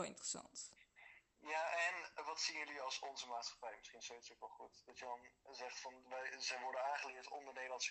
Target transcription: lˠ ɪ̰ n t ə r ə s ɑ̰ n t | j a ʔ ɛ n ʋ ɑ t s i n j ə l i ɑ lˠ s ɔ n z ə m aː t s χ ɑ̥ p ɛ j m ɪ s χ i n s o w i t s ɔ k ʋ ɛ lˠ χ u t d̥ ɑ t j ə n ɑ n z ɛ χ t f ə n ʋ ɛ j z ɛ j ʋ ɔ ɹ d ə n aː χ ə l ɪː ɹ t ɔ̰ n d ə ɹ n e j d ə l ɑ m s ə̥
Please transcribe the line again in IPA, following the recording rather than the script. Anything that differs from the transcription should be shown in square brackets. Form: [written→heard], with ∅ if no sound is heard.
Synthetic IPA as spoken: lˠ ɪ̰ n t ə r ə s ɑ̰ n t | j a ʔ ɛ n ʋ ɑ t s i n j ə l i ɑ lˠ s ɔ n z ə m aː t s χ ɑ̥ p ɛ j m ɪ s χ i n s o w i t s [ɔ→o] k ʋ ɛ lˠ χ u t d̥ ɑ t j ə [n→d] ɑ n z ɛ χ t f [ə→ɑ] n ʋ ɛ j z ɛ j ʋ ɔ ɹ d ə n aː χ ə l ɪː ɹ t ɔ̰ n d ə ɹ n e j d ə l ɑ [m→n] s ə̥